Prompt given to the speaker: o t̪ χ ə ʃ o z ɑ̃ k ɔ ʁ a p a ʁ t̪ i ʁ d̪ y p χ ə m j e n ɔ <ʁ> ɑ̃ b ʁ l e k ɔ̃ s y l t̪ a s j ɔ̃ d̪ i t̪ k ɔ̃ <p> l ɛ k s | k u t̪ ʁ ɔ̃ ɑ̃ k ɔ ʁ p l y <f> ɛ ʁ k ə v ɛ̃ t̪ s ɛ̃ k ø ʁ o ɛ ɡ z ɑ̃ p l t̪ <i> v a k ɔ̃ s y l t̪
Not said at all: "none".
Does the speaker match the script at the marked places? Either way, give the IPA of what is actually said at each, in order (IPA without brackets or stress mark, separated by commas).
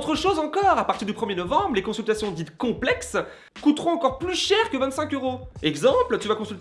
v, p, ʃ, y